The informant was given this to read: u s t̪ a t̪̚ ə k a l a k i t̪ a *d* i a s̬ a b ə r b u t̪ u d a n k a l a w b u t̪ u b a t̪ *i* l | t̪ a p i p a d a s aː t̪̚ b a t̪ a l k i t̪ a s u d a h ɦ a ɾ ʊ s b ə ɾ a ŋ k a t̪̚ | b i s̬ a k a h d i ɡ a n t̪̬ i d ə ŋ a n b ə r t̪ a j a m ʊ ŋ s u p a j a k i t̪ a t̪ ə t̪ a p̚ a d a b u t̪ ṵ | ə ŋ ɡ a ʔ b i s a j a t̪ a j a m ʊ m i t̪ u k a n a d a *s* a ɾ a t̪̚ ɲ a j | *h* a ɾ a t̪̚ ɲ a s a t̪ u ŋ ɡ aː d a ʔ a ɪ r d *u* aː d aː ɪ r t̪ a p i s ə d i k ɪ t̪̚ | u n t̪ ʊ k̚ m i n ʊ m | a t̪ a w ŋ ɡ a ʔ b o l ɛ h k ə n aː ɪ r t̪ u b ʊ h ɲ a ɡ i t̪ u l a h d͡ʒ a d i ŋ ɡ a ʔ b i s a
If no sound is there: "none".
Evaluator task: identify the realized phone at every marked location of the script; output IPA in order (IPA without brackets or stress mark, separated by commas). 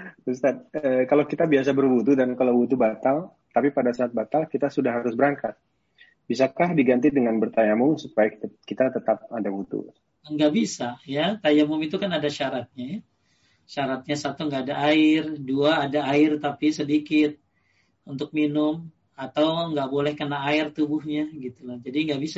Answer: b, a, ʃ, ʃ, u